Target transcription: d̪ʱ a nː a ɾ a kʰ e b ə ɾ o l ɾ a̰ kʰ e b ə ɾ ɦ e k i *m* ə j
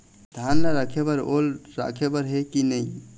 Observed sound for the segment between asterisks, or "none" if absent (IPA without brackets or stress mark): n